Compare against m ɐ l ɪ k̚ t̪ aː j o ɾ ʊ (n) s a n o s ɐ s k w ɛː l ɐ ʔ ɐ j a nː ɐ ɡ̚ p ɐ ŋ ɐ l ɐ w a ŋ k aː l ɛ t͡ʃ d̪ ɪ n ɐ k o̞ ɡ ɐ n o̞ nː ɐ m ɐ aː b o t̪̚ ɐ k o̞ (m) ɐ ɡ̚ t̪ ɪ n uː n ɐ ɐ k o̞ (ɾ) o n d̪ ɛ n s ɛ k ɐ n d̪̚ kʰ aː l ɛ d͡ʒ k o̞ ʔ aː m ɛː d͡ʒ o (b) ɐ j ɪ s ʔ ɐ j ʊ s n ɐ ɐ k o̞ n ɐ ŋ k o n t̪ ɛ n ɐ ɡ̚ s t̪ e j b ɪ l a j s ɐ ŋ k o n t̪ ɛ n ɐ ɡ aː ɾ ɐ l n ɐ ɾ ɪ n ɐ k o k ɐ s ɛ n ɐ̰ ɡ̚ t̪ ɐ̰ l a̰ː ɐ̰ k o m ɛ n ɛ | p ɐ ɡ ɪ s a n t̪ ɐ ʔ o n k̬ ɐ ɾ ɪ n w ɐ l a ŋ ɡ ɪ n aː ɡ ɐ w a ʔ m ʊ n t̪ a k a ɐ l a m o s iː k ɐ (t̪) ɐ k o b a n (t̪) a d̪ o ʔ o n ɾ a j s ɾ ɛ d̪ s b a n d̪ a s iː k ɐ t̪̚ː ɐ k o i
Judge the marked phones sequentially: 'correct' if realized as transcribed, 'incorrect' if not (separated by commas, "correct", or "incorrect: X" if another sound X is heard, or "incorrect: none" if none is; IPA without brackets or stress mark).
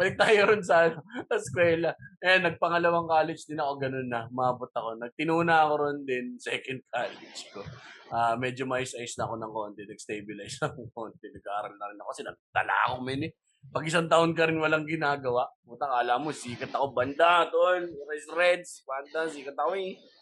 correct, incorrect: n, correct, incorrect: m, correct, incorrect: d̪